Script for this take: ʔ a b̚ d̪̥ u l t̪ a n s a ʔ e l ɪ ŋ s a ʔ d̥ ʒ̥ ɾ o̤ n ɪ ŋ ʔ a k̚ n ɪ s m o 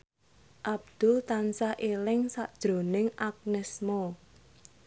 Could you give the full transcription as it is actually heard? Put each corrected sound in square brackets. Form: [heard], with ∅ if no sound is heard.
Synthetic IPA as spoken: ʔ a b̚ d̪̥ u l t̪ a n s a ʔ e l ɪ ŋ s a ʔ d̥ ʒ̥ ɾ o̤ n ɪ ŋ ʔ a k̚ n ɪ s m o